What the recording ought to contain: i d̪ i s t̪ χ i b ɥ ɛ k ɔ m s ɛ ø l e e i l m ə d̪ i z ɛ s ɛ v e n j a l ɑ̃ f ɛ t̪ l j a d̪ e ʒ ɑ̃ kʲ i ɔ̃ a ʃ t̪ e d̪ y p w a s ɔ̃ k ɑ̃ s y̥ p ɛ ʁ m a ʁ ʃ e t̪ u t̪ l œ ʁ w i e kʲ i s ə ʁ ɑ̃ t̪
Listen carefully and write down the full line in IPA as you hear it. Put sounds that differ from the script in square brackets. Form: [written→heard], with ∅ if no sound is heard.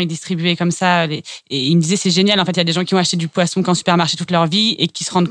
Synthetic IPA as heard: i d̪ i s t̪ χ i b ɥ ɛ k ɔ m s [ɛ→a] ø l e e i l m ə d̪ i z ɛ s ɛ [v→ʒ] e n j a l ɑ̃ f ɛ t̪ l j a d̪ e ʒ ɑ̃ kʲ i ɔ̃ a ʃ t̪ e d̪ y p w a s ɔ̃ k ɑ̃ s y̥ p ɛ ʁ m a ʁ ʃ e t̪ u t̪ l œ ʁ [w→v] i e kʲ i s ə ʁ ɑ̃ [t̪→d̪]